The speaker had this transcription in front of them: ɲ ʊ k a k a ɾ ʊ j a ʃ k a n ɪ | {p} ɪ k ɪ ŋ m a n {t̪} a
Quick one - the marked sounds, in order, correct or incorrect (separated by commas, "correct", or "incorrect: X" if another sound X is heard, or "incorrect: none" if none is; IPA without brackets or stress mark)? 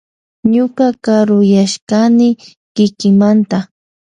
incorrect: k, correct